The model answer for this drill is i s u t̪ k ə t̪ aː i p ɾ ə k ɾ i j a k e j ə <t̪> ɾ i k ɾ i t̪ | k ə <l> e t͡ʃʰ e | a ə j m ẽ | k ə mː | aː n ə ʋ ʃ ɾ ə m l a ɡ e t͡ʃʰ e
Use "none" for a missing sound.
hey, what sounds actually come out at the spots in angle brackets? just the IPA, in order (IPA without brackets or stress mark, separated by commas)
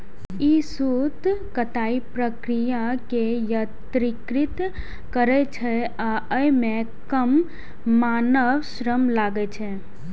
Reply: t̪, ɾ